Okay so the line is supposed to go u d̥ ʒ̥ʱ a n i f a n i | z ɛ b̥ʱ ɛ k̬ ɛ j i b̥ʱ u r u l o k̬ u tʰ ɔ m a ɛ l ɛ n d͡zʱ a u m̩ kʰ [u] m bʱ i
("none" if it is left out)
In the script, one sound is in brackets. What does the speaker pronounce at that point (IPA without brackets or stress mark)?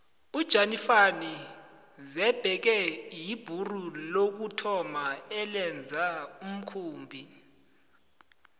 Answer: uː